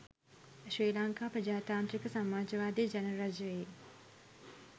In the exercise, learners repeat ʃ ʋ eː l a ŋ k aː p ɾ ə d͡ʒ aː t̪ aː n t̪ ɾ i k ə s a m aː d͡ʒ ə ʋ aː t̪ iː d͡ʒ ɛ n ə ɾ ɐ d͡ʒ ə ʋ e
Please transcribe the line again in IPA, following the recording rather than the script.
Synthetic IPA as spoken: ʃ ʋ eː l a ŋ k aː p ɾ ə d͡ʒ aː t̪ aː n t̪ ɾ i k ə s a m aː d͡ʒ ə ʋ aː d̪ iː d͡ʒ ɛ n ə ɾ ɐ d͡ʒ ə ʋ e